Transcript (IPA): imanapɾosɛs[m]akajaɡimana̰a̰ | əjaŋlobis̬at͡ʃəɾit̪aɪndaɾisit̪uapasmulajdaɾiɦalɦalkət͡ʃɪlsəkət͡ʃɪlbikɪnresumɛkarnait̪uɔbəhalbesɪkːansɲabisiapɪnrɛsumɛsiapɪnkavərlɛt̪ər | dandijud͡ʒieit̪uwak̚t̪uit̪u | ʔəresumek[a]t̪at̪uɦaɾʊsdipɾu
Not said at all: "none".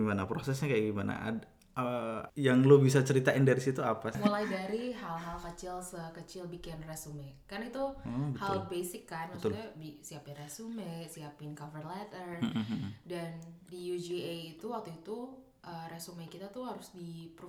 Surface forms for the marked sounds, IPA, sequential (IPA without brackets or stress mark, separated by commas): ɲ, i